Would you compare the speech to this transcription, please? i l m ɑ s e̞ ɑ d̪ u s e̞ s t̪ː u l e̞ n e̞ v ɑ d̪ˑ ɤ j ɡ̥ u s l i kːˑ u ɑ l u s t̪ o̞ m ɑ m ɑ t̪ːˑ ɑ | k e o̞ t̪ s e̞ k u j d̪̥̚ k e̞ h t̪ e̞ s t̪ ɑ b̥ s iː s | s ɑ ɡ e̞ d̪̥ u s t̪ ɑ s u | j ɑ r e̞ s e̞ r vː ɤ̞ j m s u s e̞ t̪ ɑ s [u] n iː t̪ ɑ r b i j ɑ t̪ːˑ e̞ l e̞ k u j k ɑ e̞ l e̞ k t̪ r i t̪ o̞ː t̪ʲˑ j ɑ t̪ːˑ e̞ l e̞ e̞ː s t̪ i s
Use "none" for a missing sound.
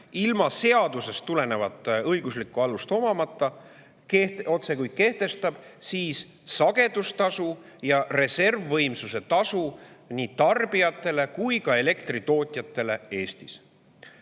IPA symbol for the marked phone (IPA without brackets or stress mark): u